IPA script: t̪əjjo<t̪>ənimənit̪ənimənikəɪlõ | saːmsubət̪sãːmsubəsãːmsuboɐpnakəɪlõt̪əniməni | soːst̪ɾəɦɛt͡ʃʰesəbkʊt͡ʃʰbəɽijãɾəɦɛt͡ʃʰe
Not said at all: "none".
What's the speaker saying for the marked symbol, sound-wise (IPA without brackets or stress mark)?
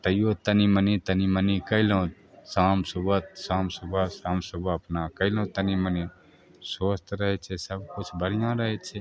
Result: t̪